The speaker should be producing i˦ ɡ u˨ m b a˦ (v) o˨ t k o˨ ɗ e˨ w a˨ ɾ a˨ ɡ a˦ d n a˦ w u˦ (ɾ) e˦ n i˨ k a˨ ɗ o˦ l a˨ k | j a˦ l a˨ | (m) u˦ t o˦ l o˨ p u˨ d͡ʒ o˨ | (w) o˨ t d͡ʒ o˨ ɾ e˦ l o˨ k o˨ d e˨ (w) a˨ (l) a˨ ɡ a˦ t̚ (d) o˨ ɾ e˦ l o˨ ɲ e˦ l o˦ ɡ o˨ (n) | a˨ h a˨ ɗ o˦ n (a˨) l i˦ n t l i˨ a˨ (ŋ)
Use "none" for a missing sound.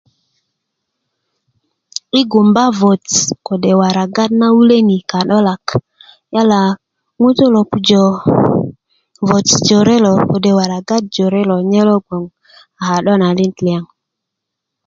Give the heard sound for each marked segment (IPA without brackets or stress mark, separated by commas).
v, l, ŋ, v, w, ɾ, d͡ʒ, ŋ, a˨, ŋ